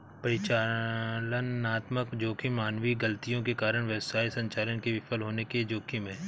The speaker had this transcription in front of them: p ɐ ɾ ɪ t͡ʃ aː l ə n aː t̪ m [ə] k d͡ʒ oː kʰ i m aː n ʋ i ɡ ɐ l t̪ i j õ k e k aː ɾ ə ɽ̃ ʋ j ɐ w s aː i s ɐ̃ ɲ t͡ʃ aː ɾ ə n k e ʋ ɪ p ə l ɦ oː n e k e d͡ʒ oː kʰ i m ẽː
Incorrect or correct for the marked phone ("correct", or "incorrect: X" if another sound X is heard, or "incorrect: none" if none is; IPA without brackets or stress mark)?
correct